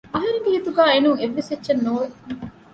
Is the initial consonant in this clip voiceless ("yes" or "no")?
no